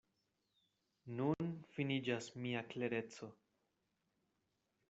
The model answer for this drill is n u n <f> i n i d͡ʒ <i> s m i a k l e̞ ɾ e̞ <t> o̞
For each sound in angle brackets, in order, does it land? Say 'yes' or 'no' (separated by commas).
yes, no, no